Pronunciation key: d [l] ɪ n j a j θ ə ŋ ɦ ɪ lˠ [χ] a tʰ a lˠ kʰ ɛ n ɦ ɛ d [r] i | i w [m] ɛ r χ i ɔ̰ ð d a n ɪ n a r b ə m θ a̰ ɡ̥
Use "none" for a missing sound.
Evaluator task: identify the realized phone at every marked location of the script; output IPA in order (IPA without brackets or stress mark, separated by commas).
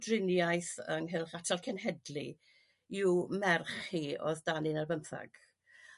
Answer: r, χ, l, m